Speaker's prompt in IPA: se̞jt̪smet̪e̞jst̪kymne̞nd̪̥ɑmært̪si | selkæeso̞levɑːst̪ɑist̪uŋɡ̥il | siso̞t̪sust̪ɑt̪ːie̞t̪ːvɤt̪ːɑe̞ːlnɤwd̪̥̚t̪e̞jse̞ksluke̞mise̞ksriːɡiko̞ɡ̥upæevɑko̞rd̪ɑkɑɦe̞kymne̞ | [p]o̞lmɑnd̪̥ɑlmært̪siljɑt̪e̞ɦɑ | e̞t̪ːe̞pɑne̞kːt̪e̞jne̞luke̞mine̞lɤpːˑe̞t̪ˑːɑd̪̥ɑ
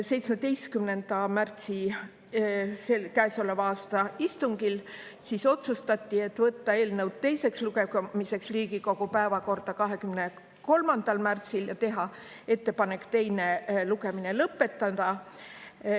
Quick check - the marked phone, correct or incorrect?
incorrect